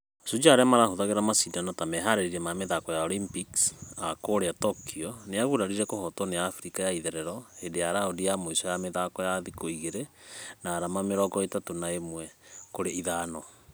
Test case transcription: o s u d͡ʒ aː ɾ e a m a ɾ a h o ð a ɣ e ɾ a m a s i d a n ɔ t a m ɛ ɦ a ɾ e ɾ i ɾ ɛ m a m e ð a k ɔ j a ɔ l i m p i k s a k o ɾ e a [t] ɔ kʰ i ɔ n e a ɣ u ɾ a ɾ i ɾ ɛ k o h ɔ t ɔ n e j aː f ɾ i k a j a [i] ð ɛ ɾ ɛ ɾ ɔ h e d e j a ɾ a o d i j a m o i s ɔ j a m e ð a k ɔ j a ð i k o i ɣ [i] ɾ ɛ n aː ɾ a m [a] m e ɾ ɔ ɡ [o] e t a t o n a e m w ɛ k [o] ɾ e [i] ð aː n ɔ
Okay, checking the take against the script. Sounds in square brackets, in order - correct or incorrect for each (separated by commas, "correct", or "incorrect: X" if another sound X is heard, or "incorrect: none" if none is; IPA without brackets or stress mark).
correct, correct, incorrect: e, correct, incorrect: ɔ, correct, correct